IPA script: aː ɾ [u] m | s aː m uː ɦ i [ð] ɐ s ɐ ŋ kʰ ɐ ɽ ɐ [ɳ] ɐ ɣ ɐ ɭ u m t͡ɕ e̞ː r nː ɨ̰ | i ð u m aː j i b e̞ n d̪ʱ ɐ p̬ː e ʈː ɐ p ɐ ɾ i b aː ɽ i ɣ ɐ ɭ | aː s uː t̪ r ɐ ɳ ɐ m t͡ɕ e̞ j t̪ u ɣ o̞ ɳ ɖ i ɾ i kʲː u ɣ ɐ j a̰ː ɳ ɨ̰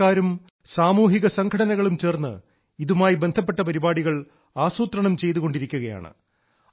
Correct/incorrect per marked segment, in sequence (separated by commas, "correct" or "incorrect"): correct, incorrect, incorrect